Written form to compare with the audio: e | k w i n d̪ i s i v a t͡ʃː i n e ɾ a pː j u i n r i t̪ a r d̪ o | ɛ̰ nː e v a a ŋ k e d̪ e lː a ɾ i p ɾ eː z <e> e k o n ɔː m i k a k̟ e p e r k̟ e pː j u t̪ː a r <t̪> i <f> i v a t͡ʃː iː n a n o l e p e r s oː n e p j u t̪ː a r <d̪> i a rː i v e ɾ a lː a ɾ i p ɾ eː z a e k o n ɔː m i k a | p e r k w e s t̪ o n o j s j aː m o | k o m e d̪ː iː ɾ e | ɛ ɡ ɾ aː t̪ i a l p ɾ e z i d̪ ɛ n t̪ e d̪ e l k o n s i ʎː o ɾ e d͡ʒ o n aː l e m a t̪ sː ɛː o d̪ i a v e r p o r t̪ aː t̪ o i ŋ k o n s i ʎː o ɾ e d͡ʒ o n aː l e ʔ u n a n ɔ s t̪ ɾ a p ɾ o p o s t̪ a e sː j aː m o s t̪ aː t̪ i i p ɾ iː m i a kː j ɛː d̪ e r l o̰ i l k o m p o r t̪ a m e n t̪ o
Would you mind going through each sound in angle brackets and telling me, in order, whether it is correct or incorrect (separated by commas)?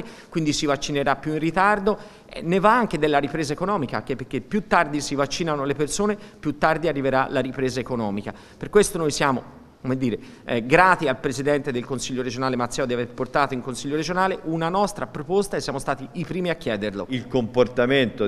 incorrect, incorrect, incorrect, correct